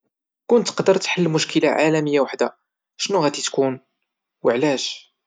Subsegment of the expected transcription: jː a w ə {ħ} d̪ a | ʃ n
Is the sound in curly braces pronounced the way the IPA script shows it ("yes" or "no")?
yes